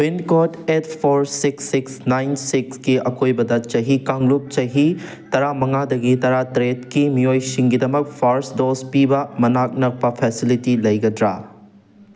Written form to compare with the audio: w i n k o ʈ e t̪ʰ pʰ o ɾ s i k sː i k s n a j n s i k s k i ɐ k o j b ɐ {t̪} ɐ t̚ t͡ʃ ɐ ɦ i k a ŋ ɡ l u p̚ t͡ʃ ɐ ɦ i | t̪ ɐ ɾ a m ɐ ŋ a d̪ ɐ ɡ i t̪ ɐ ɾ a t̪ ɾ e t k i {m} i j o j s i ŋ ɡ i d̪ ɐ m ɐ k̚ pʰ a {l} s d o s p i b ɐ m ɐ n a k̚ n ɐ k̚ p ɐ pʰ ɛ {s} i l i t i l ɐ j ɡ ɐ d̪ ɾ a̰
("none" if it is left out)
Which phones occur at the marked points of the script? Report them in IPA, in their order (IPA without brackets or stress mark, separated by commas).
d̪, m, ɾ, s